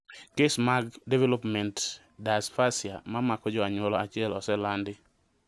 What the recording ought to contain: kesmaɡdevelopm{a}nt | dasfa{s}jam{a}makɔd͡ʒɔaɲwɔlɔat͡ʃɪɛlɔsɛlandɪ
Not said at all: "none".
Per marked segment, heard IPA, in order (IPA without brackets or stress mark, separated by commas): ɛ, s, a